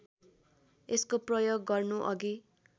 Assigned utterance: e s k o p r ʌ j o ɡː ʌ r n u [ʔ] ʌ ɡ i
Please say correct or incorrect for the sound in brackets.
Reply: correct